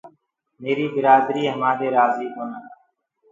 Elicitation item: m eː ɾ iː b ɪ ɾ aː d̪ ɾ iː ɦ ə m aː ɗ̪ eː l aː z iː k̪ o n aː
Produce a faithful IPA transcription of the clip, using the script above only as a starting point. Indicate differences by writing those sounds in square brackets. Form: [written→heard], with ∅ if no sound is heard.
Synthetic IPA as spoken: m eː ɾ iː b ɪ ɾ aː d̪ ɾ iː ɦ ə m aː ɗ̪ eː [l→ɾ] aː z iː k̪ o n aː